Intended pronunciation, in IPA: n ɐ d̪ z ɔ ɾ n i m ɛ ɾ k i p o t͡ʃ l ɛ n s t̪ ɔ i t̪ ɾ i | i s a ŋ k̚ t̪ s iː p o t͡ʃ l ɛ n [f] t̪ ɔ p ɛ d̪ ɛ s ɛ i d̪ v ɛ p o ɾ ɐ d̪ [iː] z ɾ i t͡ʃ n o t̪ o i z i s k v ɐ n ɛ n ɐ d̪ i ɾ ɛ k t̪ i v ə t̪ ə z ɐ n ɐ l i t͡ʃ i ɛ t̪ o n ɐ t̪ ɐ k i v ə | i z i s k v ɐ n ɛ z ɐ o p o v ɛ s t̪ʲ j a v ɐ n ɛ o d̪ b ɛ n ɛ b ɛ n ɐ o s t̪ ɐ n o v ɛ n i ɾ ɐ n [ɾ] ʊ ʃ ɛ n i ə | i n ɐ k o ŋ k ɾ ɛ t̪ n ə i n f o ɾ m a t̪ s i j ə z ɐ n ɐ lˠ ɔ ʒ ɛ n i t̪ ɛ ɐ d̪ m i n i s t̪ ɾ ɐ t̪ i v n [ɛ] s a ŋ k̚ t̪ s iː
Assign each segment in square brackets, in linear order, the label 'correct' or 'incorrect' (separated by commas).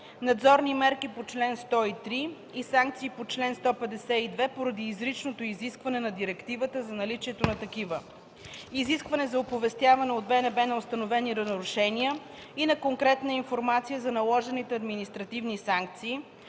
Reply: incorrect, correct, correct, incorrect